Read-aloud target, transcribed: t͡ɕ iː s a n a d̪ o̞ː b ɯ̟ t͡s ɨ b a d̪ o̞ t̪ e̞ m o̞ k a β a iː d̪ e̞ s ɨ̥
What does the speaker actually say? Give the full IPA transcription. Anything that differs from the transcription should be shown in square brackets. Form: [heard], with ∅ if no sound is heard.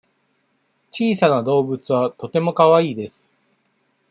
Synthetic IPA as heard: t͡ɕ iː s a n a d̪ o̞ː b ɯ̟ t͡s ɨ [β] a [t̪] o̞ t̪ e̞ m o̞ k a β a iː d̪ e̞ s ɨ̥